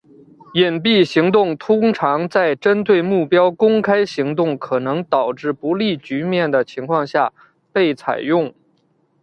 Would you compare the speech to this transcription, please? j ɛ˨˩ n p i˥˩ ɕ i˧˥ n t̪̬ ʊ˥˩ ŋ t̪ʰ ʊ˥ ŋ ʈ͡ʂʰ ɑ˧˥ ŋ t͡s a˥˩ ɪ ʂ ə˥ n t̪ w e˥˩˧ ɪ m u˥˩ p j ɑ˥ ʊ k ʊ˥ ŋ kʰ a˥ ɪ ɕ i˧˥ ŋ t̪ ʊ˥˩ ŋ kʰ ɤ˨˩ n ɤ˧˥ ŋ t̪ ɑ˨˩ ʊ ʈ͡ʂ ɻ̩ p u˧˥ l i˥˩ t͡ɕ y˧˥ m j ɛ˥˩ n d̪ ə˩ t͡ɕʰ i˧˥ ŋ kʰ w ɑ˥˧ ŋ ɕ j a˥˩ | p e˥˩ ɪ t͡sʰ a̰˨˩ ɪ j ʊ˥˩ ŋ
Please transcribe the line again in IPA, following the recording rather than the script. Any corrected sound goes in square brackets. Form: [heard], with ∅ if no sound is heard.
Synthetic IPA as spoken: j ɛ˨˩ n p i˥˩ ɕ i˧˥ [ŋ] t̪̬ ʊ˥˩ ŋ t̪ʰ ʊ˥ ŋ ʈ͡ʂʰ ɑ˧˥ ŋ t͡s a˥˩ ɪ [ʈ͡ʂ] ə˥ n t̪ w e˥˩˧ ɪ m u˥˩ p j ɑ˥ ʊ k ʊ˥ ŋ kʰ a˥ ɪ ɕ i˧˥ ŋ t̪ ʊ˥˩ ŋ kʰ ɤ˨˩ n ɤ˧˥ ŋ t̪ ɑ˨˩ ʊ ʈ͡ʂ ɻ̩ p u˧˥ l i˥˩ t͡ɕ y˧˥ m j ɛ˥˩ n d̪ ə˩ t͡ɕʰ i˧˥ ŋ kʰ w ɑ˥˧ ŋ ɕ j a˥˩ | p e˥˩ ɪ t͡sʰ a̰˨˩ ɪ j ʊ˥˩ ŋ

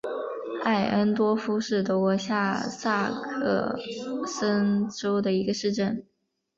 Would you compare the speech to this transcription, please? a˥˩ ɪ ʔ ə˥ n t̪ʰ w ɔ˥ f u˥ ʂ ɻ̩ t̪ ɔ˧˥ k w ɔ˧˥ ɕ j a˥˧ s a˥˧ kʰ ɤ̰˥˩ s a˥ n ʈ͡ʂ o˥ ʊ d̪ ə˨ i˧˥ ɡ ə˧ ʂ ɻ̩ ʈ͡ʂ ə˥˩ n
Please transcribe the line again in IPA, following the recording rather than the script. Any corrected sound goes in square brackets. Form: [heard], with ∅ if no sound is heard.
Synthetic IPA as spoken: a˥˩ ɪ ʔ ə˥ n [t̪] w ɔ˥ f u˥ ʂ ɻ̩ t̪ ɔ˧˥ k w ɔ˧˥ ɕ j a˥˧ s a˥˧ kʰ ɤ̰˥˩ s [ə˥] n ʈ͡ʂ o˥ ʊ d̪ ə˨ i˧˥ ɡ ə˧ ʂ ɻ̩ ʈ͡ʂ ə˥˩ n

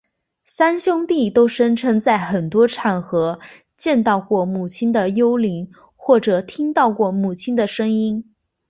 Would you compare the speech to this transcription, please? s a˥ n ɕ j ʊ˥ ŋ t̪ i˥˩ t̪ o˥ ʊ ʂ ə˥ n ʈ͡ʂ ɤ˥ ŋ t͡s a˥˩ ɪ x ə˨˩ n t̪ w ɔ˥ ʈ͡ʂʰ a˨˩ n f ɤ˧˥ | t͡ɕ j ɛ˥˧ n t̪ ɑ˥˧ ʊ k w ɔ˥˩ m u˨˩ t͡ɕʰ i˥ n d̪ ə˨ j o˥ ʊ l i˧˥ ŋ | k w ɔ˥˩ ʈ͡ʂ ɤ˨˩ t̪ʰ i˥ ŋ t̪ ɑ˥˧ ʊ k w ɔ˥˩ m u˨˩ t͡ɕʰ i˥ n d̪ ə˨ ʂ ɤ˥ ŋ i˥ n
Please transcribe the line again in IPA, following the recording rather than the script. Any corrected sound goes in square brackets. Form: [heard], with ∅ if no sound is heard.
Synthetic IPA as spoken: s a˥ n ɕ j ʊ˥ ŋ t̪ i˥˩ t̪ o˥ ʊ ʂ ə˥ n [ʈ͡ʂʰ] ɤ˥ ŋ t͡s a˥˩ ɪ x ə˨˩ n t̪ w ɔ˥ ʈ͡ʂʰ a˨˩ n [x] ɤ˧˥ | t͡ɕ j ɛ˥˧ n t̪ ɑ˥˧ ʊ k w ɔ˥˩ m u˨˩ t͡ɕʰ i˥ n d̪ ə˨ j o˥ ʊ l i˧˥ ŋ | [x] w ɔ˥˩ ʈ͡ʂ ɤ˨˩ t̪ʰ i˥ ŋ t̪ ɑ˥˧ ʊ k w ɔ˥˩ m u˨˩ t͡ɕʰ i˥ n d̪ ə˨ ʂ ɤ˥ ŋ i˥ n

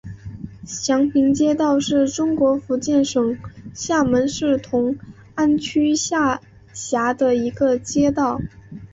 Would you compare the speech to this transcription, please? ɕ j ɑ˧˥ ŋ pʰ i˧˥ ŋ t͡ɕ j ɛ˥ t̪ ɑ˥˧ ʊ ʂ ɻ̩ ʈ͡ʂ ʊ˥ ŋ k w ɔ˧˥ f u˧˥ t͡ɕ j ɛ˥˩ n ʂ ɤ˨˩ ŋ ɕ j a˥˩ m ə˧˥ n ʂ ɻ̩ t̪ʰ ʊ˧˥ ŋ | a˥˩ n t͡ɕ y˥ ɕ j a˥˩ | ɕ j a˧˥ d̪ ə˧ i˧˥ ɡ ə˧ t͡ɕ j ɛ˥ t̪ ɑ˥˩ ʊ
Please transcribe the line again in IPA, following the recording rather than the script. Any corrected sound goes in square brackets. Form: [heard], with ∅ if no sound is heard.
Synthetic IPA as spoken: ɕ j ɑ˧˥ ŋ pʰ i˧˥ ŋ t͡ɕ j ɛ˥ t̪ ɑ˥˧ ʊ ʂ ɻ̩ ʈ͡ʂ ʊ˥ ŋ k w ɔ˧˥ f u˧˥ t͡ɕ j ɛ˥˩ n ʂ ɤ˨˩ ŋ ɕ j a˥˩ m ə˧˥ n ʂ ɻ̩ t̪ʰ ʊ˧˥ ŋ | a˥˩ n [t͡ɕʰ] y˥ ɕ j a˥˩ | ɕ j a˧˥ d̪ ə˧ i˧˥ ɡ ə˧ t͡ɕ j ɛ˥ t̪ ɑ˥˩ ʊ

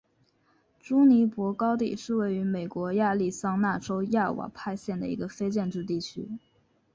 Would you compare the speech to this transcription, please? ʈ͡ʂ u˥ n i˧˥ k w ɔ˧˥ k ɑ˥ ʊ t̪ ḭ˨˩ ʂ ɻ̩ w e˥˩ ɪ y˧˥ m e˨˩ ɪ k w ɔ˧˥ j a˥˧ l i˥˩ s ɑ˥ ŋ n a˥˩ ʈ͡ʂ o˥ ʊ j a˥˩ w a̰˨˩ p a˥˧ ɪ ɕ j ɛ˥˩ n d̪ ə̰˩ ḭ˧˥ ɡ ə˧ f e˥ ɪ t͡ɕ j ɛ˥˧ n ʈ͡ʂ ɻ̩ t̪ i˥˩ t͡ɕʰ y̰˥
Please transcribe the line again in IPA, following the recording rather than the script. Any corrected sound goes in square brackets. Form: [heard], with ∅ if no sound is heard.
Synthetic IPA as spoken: ʈ͡ʂ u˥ n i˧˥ [p] w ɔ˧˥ k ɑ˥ ʊ t̪ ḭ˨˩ ʂ ɻ̩ w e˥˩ ɪ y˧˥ m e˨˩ ɪ k w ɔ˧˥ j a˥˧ l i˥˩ s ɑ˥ ŋ n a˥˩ ʈ͡ʂ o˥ ʊ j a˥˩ w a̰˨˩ [pʰ] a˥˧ ɪ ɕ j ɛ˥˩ n d̪ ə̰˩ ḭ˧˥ ɡ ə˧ f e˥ ɪ t͡ɕ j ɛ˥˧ n ʈ͡ʂ ɻ̩ t̪ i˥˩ t͡ɕʰ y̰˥

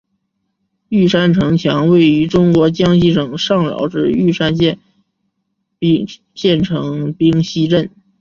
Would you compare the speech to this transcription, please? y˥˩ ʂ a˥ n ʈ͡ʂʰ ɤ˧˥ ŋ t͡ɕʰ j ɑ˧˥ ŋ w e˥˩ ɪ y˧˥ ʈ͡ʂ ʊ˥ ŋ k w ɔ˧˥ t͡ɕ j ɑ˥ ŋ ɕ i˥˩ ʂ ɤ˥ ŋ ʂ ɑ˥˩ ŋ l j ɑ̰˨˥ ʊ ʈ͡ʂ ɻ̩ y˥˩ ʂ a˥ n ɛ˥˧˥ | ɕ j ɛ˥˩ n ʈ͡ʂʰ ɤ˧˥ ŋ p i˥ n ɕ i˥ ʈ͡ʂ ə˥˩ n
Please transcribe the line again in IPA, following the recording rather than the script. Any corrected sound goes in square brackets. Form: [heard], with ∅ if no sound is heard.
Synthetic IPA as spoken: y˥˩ ʂ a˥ n ʈ͡ʂʰ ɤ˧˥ ŋ t͡ɕʰ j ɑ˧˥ ŋ w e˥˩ ɪ y˧˥ ʈ͡ʂ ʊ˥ ŋ k w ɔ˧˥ t͡ɕ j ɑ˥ ŋ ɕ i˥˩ ʂ [ɤ˨˩] ŋ ʂ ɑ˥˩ ŋ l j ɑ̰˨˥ ʊ ʈ͡ʂ ɻ̩ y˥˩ ʂ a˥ n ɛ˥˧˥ | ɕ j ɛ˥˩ n ʈ͡ʂʰ ɤ˧˥ ŋ p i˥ [ŋ] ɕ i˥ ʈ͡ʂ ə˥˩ n

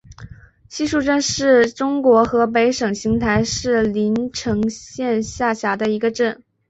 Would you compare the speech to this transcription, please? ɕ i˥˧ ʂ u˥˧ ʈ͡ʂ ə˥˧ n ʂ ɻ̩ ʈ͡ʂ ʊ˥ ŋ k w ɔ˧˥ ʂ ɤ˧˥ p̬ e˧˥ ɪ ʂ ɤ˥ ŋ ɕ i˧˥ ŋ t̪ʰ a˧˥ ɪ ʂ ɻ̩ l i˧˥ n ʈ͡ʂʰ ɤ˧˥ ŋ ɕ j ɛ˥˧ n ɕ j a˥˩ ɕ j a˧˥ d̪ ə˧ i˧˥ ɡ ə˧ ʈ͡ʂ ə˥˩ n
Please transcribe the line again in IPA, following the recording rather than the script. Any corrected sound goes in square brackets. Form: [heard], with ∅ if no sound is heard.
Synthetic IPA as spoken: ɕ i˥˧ ʂ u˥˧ ʈ͡ʂ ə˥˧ n ʂ ɻ̩ ʈ͡ʂ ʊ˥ ŋ k w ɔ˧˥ [x] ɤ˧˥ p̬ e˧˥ ɪ ʂ [ɤ˨˩] ŋ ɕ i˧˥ ŋ t̪ʰ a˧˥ ɪ ʂ ɻ̩ l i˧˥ n ʈ͡ʂʰ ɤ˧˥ ŋ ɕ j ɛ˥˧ n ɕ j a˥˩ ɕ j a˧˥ d̪ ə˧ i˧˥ ɡ ə˧ ʈ͡ʂ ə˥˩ n

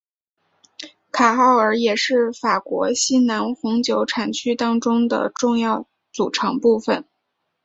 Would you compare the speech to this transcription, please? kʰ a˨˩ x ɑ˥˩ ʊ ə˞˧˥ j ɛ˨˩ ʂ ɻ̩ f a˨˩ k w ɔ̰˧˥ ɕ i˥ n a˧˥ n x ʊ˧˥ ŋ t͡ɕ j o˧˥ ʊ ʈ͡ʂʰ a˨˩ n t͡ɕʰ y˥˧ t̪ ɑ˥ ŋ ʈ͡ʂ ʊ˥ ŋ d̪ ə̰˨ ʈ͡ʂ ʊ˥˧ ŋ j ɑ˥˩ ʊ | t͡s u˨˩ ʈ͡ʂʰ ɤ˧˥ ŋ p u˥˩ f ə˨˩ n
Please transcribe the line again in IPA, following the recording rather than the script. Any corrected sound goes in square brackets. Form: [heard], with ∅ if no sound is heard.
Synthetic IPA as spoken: kʰ a˨˩ x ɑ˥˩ ʊ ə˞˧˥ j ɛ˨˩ ʂ ɻ̩ f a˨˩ k w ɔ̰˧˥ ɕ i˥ n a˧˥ n x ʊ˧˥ ŋ t͡ɕ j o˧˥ ʊ ʈ͡ʂʰ a˨˩ n t͡ɕʰ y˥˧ t̪ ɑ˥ ŋ ʈ͡ʂ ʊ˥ ŋ d̪ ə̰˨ ʈ͡ʂ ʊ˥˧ ŋ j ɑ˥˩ ʊ | t͡s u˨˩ ʈ͡ʂʰ ɤ˧˥ ŋ p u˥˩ f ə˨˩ n

